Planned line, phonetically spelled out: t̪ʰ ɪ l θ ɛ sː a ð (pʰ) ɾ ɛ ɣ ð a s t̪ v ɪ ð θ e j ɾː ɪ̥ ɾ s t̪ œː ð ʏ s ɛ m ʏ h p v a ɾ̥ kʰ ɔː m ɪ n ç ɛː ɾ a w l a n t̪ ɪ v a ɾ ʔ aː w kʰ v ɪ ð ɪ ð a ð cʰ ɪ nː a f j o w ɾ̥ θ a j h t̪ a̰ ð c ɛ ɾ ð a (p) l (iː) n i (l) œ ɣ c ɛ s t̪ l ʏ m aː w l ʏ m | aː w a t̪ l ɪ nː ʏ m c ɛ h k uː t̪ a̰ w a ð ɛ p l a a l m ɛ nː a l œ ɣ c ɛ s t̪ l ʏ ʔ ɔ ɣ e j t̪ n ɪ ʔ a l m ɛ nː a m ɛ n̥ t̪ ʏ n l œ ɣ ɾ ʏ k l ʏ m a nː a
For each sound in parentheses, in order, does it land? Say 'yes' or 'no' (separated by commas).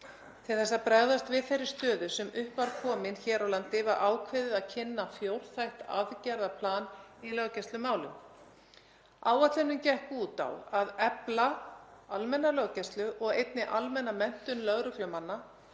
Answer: no, no, no, yes